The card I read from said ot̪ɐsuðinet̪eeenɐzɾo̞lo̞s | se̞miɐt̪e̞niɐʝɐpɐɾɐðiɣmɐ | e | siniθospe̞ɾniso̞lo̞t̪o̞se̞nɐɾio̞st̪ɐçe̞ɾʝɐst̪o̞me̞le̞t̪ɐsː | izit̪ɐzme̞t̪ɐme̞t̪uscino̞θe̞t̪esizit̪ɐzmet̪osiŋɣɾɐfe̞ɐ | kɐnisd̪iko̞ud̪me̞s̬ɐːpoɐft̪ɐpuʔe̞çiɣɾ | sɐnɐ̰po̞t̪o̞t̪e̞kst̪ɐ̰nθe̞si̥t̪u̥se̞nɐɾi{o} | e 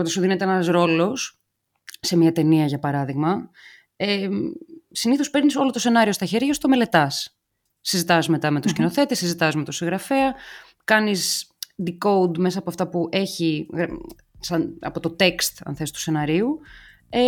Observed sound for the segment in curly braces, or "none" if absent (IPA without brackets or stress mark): u